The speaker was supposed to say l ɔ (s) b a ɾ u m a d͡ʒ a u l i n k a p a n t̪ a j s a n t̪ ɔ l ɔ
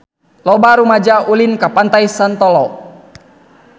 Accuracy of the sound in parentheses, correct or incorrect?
incorrect: none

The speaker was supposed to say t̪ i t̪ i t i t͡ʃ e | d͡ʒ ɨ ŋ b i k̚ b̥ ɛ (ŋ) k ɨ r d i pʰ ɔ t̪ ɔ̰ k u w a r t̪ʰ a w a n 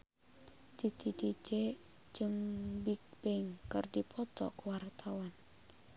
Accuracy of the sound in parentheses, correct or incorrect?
correct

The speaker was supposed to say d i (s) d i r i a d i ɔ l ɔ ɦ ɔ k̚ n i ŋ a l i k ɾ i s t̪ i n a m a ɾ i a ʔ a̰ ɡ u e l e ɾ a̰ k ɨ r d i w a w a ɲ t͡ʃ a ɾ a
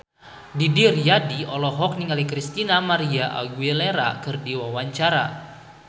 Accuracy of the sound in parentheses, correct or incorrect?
incorrect: none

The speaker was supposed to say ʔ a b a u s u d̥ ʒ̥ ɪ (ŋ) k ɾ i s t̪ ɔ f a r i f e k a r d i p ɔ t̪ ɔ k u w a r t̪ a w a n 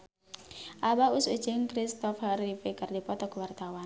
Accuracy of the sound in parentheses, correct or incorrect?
correct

